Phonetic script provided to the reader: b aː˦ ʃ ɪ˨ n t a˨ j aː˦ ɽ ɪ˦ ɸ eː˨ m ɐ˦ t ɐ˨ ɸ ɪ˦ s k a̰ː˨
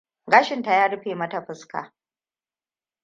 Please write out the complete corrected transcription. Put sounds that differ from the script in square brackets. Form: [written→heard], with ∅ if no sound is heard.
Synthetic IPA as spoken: [b→ɡ] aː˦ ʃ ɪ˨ n t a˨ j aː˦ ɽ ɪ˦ ɸ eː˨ m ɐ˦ t [ɐ˨→a˨] ɸ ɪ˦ s k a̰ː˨